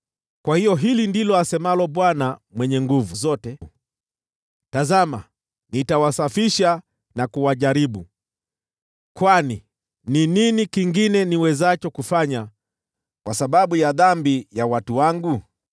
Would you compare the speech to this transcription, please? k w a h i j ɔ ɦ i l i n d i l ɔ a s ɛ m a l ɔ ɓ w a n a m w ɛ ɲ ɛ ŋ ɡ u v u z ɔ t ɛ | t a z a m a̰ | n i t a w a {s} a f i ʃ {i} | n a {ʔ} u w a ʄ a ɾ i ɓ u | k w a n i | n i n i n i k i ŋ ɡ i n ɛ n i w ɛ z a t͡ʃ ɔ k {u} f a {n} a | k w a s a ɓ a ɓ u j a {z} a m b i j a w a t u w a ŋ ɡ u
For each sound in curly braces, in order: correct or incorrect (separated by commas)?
correct, incorrect, incorrect, correct, incorrect, incorrect